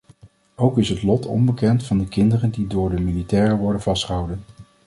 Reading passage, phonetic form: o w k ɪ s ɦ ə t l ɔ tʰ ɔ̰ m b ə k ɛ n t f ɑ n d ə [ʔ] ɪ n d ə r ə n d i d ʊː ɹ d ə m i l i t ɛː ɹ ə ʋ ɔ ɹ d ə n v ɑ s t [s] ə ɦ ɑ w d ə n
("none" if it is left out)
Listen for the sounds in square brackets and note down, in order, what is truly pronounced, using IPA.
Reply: k, χ

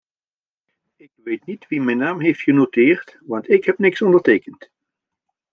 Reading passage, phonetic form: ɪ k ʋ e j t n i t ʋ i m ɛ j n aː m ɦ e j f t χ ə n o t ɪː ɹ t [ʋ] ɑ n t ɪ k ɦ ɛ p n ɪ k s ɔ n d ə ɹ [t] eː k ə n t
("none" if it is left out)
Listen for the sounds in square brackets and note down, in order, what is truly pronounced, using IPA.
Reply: ʋ, t

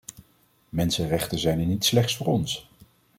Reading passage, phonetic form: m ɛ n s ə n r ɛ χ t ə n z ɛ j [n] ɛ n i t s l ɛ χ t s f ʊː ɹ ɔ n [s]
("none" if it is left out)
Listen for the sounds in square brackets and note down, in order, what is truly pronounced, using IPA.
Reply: n, s

